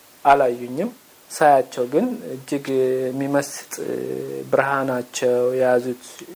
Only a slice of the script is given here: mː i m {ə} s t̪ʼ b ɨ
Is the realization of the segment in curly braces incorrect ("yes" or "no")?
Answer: no